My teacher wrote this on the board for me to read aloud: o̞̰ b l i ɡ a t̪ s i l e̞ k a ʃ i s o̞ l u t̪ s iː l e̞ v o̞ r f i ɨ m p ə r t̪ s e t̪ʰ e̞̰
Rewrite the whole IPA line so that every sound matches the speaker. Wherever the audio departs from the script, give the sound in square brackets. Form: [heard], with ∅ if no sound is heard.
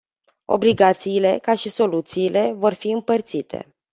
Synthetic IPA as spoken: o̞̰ b l i ɡ a t̪ s [iː] l e̞ k a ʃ i s o̞ l u t̪ s iː l e̞ v o̞ r f i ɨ m p ə r t̪ s [i] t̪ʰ e̞̰